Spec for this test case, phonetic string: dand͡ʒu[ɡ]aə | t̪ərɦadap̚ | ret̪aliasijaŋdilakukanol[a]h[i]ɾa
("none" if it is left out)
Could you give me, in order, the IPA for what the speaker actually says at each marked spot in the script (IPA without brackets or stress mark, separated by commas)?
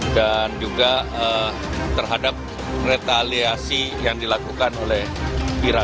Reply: ɡ, ɛ, i